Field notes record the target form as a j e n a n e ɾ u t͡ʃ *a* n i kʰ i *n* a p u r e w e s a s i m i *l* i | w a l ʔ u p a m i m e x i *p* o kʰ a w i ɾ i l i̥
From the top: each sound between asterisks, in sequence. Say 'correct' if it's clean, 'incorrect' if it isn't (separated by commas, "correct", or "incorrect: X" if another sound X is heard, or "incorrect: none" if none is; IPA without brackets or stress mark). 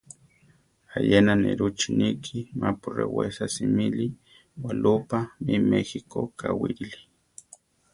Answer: incorrect: i, incorrect: m, correct, incorrect: k